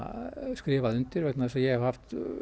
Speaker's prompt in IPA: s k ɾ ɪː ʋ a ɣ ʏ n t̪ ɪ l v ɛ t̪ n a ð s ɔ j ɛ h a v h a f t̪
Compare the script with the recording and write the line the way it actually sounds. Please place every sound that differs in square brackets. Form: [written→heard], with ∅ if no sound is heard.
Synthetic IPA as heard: s k ɾ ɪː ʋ a [ɣ→ð] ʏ n t̪ ɪ [l→ɾ] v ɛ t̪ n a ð s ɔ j ɛ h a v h a f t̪